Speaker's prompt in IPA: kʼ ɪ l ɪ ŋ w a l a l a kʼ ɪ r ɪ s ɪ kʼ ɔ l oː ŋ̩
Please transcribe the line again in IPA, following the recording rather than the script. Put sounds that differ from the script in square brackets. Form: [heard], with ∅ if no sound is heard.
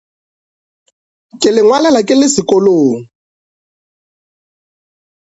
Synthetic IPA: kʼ ɪ l ɪ ŋ w a l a l a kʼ ɪ [l] ɪ s ɪ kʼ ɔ l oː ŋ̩